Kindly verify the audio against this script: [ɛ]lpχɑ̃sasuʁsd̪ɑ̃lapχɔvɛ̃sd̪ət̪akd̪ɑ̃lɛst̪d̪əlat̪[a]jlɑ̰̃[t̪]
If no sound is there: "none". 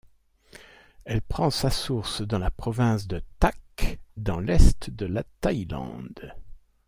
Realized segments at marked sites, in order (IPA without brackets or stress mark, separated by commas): ɛ, a, d̪